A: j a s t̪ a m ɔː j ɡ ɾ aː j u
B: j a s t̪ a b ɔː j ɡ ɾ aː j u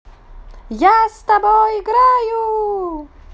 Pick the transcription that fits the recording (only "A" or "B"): B